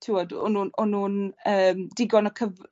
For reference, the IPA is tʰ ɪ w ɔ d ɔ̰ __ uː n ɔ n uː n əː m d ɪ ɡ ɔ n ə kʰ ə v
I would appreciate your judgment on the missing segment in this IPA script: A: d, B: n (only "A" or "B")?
B